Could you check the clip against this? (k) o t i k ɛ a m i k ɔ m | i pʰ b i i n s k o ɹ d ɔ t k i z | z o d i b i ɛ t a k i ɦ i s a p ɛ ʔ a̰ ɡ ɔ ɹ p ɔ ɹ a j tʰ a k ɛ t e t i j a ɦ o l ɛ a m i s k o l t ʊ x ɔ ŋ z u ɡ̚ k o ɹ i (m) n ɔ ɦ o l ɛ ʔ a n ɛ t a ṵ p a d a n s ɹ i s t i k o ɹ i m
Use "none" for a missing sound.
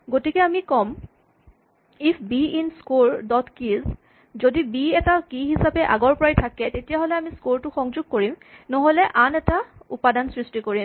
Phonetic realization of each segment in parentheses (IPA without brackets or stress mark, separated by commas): ɡ, m